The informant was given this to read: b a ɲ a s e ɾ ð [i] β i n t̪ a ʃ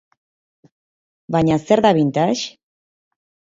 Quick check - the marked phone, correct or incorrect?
incorrect: a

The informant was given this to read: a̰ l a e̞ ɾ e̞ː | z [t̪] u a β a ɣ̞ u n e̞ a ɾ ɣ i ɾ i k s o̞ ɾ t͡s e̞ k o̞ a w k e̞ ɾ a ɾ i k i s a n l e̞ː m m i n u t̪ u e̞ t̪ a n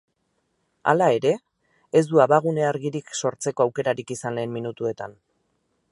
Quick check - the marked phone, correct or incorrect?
incorrect: d̪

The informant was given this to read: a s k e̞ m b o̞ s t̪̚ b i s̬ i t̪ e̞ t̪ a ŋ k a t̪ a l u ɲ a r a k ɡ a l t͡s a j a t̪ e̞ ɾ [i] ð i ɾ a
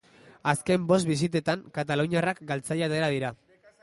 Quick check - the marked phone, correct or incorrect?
incorrect: a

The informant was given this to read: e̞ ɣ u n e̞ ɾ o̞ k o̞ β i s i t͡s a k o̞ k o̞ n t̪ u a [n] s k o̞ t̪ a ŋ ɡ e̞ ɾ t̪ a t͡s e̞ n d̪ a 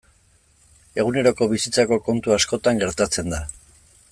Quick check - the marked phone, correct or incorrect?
incorrect: none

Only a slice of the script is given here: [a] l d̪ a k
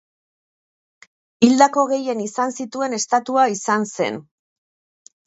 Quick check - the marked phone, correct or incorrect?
incorrect: i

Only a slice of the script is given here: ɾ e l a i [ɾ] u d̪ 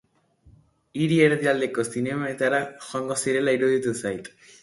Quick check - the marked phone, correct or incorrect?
correct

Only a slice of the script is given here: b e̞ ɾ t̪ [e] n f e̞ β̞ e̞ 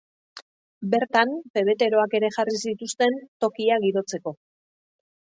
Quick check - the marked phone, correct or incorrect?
incorrect: a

